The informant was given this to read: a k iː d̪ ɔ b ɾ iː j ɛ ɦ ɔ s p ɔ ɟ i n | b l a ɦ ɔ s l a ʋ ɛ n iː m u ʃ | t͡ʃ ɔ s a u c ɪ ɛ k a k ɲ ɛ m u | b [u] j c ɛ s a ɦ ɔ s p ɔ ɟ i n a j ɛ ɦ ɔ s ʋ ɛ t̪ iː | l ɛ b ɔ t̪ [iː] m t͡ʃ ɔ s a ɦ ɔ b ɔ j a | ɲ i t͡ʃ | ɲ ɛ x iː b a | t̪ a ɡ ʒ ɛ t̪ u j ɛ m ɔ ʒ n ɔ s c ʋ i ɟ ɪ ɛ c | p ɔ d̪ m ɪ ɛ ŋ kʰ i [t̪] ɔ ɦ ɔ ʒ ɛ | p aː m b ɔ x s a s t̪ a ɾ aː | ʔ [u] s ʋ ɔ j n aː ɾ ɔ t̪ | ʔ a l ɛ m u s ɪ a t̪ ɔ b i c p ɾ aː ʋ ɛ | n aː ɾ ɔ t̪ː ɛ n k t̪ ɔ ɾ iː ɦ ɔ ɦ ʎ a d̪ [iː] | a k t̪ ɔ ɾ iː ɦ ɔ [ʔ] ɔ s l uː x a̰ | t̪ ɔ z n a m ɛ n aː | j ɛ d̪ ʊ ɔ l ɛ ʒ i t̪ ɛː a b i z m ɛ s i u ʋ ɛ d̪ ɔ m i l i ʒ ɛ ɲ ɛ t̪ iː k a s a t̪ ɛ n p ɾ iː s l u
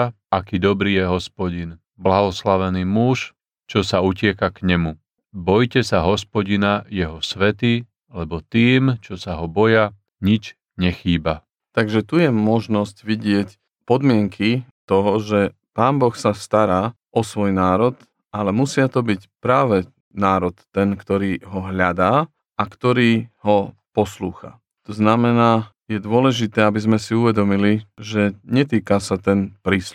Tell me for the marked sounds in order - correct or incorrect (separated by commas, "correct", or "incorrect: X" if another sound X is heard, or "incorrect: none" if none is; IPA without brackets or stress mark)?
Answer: incorrect: ɔ, correct, correct, incorrect: ɔ, incorrect: aː, incorrect: p